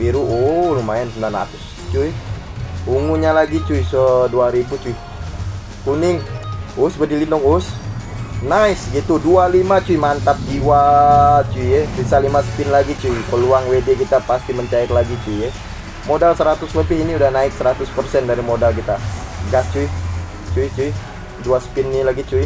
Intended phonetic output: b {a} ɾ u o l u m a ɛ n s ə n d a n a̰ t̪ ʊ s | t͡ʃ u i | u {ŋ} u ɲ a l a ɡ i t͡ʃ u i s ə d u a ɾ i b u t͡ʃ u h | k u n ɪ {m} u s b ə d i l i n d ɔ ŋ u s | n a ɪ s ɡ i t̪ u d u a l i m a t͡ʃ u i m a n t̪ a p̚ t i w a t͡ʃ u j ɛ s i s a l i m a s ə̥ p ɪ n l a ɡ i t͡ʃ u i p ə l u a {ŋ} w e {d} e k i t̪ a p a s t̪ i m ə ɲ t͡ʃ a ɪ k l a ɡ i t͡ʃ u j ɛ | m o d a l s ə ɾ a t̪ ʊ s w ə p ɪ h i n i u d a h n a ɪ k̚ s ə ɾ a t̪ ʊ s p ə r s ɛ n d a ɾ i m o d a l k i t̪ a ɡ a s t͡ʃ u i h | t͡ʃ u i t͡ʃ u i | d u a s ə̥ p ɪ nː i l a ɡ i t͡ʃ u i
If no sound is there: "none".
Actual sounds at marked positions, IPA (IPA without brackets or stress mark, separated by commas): i, ŋ, ŋ, ŋ, d